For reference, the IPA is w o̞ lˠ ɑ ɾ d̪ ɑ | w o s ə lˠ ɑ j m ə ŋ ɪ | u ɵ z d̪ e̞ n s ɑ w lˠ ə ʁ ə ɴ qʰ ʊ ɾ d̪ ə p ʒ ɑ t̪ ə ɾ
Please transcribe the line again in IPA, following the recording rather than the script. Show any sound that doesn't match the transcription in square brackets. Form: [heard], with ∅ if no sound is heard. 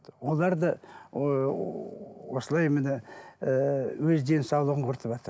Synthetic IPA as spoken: w o̞ lˠ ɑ ɾ d̪ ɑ | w o s ə lˠ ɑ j m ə [n] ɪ | [w] ɵ z d̪ e̞ n s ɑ w lˠ ə ʁ ə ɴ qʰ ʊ ɾ [t̪] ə p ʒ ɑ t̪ ə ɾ

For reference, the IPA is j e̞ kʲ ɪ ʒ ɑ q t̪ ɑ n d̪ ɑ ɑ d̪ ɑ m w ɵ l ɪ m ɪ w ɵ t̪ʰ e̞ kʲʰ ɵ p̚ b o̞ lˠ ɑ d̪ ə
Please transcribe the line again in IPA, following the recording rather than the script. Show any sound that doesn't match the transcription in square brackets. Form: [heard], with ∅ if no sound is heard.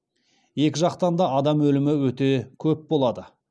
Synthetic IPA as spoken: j e̞ kʲ ɪ ʒ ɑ q t̪ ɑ n d̪ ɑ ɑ d̪ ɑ m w ɵ l ɪ m ɪ w ɵ [t̪] e̞ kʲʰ ɵ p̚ b o̞ lˠ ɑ d̪ ə

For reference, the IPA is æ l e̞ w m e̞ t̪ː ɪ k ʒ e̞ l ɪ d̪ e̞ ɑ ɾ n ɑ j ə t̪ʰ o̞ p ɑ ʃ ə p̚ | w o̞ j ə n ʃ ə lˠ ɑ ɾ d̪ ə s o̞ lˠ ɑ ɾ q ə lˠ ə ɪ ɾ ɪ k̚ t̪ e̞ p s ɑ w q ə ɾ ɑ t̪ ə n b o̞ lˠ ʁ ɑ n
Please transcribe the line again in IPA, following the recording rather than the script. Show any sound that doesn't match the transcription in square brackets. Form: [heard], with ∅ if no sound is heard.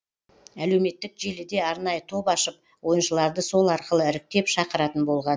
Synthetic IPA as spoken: æ l e̞ w m e̞ t̪ː ɪ k ʒ e̞ l ɪ d̪ e̞ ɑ ɾ n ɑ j ə t̪ʰ o̞ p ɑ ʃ ə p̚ | w o̞ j ə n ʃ ə lˠ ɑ ɾ d̪ ə s o̞ lˠ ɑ ɾ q ə lˠ ə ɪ ɾ ɪ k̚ t̪ e̞ p [ʃ] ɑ [∅] q ə ɾ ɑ t̪ ə n b o̞ lˠ ʁ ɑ n

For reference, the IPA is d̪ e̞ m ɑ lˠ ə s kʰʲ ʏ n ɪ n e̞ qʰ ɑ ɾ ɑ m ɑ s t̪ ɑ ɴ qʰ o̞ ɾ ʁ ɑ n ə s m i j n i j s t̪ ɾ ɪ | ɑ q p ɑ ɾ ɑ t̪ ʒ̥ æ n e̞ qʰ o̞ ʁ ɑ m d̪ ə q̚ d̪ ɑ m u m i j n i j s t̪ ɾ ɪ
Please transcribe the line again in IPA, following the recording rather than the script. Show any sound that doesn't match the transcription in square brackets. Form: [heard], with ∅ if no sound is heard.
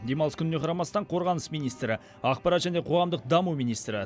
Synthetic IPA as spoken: d̪ e̞ m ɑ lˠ ə s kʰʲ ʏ n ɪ n e̞ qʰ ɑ ɾ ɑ m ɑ s t̪ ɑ ɴ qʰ o̞ ɾ ʁ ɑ n ə s m i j n i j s t̪ ɾ ɪ | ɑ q p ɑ ɾ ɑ t̪ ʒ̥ æ n e̞ qʰ o̞ ʁ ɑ m d̪ ə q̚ d̪ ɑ m u m i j n i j s t̪ ɾ ɪ

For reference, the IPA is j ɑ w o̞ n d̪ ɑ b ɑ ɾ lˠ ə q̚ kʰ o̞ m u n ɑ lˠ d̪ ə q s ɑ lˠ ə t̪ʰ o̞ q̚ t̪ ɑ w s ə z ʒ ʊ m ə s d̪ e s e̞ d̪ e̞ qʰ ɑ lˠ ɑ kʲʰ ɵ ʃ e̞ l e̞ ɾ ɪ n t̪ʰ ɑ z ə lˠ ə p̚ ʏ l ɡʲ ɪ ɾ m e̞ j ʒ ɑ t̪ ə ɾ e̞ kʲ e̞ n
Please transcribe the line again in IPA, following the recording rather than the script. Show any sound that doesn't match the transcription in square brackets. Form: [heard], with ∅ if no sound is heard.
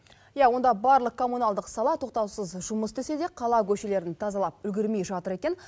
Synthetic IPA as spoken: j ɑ w o̞ n d̪ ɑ b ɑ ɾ lˠ ə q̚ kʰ o̞ m u n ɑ lˠ d̪ ə q s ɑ lˠ [ɑ] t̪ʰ o̞ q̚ t̪ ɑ w s ə z ʒ ʊ m ə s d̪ e s e̞ d̪ e̞ qʰ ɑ lˠ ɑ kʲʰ ɵ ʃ e̞ l e̞ ɾ ɪ n t̪ʰ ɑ z [ɑ] lˠ [ɑ] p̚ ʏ l ɡʲ ɪ ɾ m e̞ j ʒ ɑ t̪ ə ɾ e̞ kʲ e̞ n

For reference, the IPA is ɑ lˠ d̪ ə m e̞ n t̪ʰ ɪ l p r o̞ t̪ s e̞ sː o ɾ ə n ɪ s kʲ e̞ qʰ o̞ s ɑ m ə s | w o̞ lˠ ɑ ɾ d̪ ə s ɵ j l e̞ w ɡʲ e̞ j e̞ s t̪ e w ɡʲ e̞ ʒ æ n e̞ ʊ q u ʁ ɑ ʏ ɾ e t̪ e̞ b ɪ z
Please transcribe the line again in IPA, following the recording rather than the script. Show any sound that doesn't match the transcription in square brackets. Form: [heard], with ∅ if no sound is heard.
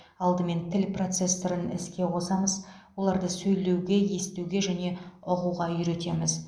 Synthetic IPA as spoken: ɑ lˠ d̪ ə m e̞ n t̪ʰ ɪ l p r o̞ t̪ s e̞ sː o ɾ ə n ɪ s kʲ e̞ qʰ o̞ s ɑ m ə [z] | w o̞ lˠ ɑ ɾ d̪ ə s ɵ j l e̞ w ɡʲ e̞ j e̞ s t̪ e w ɡʲ e̞ ʒ æ n e̞ ʊ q u ʁ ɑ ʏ ɾ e t̪ e̞ [m] ɪ z

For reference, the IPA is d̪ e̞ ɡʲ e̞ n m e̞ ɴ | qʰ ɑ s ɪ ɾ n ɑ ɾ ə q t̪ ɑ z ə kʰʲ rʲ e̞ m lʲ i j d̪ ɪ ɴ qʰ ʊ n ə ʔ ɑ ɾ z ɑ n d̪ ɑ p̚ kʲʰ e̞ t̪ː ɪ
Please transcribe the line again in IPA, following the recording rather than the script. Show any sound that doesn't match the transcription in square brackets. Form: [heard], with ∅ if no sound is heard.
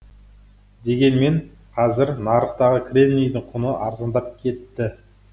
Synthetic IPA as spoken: d̪ e̞ ɡʲ e̞ n m e̞ ɴ | qʰ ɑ [z] ɪ ɾ n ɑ ɾ ə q t̪ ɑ [ʁ] ə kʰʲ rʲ e̞ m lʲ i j d̪ ɪ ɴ qʰ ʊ n ə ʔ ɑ ɾ z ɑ n d̪ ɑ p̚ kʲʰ e̞ t̪ː ɪ

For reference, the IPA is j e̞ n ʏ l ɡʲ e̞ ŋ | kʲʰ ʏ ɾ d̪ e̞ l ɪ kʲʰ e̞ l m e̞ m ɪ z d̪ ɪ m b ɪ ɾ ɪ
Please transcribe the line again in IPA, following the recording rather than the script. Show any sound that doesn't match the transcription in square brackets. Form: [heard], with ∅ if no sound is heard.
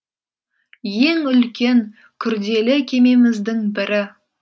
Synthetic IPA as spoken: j e̞ [ŋ] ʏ l [kʲ] e̞ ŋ | kʲʰ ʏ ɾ d̪ e̞ l ɪ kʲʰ e̞ [∅] m e̞ m ɪ z d̪ ɪ [ŋ] b ɪ ɾ ɪ

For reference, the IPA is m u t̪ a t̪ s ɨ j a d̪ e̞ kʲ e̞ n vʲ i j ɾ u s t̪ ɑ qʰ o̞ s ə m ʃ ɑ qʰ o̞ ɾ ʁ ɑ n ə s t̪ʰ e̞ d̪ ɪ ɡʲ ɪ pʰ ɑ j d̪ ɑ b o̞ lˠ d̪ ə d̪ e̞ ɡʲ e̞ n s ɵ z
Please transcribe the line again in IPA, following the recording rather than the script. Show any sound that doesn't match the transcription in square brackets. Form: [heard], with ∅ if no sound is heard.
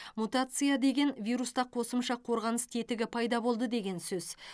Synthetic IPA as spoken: m u t̪ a t̪ s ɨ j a d̪ e̞ [ɡʲ] e̞ n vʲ i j ɾ u s t̪ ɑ qʰ o̞ s ə m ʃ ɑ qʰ o̞ ɾ ʁ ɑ n ə s t̪ʰ e̞ [t̪] ɪ ɡʲ ɪ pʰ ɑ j d̪ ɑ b o̞ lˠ d̪ ə d̪ e̞ ɡʲ e̞ n s ɵ z

